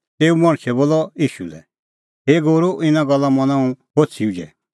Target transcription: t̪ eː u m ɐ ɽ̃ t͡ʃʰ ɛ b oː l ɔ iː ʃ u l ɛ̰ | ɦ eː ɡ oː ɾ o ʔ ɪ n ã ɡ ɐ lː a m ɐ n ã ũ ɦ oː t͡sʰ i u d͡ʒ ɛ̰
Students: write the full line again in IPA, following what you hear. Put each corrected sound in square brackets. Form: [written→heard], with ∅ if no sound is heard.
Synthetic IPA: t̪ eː u m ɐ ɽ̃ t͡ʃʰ ɛ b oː l ɔ iː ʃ u l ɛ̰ | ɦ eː ɡ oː ɾ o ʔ ɪ n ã ɡ ɐ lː a m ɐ n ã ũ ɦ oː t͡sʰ i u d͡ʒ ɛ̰